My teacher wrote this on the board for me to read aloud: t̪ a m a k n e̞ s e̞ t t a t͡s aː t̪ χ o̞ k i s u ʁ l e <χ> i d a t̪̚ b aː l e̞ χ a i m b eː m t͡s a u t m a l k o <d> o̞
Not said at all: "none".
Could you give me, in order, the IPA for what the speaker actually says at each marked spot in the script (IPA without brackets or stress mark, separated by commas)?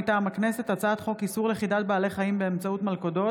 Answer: χ, d